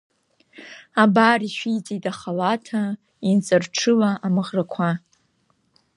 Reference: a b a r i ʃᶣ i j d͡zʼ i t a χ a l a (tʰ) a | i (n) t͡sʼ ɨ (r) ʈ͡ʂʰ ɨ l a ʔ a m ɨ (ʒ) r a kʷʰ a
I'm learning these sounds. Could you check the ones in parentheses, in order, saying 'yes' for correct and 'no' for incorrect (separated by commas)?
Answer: yes, yes, yes, no